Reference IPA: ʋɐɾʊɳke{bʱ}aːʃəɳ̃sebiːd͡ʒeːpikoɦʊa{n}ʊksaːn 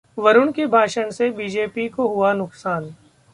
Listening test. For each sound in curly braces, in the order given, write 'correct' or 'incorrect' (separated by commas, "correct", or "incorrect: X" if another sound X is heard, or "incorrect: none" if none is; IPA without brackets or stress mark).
correct, correct